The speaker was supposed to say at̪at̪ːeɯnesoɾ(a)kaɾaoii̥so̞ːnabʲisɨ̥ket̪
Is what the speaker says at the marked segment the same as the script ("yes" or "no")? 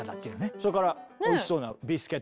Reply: no